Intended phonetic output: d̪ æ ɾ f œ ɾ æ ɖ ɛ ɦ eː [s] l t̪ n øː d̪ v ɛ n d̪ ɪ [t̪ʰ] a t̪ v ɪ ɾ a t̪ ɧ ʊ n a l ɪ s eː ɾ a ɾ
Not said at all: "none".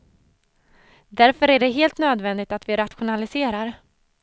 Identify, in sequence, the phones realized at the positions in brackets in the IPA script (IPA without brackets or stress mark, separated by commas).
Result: none, t̪